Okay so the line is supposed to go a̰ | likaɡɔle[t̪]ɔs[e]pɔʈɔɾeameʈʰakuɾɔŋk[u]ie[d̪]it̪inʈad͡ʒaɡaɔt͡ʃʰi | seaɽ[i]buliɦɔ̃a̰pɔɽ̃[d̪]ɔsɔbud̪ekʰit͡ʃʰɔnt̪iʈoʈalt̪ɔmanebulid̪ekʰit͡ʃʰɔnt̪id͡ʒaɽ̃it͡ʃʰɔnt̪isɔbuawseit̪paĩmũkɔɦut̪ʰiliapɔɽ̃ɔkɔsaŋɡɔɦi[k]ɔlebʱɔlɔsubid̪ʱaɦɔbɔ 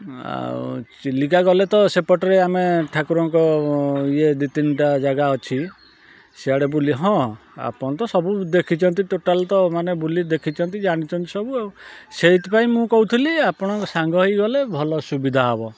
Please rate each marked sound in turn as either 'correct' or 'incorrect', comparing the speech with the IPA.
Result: correct, correct, incorrect: ɔ, correct, incorrect: e, incorrect: t̪, incorrect: ɡ

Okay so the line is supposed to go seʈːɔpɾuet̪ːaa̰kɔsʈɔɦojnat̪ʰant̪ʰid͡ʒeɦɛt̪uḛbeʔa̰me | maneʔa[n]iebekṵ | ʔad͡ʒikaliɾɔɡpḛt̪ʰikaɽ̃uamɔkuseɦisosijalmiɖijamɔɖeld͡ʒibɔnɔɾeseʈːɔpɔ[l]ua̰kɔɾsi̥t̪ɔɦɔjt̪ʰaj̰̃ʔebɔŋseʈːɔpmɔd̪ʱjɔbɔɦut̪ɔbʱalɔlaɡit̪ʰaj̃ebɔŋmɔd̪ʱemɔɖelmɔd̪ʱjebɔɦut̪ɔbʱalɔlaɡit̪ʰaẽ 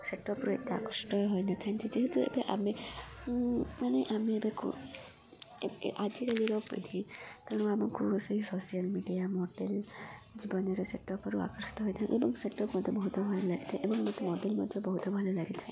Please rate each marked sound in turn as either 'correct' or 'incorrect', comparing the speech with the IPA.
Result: incorrect: m, incorrect: ɾ

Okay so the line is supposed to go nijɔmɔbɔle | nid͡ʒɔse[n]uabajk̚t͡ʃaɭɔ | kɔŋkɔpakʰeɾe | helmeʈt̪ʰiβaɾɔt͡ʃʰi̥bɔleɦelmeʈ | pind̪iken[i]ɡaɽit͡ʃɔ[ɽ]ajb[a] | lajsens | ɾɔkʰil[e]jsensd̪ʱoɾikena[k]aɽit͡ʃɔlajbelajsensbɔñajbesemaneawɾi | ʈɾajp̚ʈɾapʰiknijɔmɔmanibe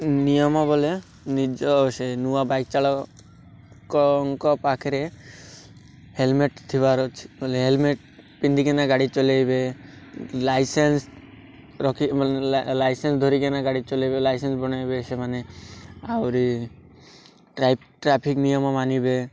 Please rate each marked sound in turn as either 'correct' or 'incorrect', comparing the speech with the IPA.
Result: correct, incorrect: a, incorrect: l, incorrect: e, incorrect: a, incorrect: ɡ

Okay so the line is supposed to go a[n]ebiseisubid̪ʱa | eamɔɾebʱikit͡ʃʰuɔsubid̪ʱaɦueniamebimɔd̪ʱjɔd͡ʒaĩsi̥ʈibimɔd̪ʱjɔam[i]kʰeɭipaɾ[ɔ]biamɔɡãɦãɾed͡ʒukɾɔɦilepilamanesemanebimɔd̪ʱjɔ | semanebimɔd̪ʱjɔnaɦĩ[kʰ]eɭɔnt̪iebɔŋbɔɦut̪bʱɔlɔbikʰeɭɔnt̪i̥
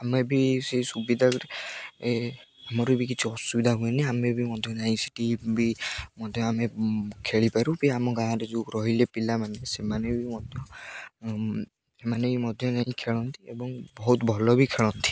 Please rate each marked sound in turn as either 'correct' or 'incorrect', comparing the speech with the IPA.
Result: incorrect: m, incorrect: e, incorrect: u, correct

